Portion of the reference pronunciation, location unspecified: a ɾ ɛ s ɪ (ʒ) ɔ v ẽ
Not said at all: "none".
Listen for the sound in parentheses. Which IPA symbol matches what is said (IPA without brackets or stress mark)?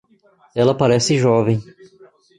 ʒ